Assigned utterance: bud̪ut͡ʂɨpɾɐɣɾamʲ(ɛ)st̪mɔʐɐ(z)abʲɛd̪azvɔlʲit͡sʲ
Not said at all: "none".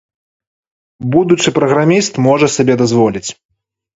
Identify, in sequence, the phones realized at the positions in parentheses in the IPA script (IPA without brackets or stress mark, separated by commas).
i, s